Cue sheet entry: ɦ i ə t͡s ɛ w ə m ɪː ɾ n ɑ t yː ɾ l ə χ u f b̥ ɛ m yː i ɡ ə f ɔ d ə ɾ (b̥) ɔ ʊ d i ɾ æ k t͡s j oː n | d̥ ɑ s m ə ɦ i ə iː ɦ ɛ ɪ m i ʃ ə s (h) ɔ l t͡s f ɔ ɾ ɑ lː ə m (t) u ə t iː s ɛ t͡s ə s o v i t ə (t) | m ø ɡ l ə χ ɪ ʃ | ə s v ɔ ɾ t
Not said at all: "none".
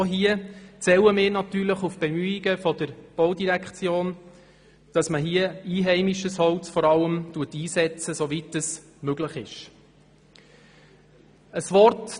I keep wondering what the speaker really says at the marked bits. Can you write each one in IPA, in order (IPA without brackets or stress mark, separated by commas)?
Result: b̥, h, t, s